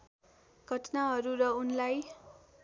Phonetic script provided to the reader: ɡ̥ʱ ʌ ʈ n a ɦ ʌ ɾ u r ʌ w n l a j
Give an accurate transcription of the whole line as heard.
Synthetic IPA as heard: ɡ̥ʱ ʌ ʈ n a ɦ ʌ ɾ u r ʌ u n l a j